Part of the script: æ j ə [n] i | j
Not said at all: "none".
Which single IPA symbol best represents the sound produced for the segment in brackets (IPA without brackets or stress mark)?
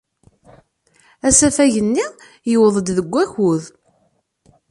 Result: nː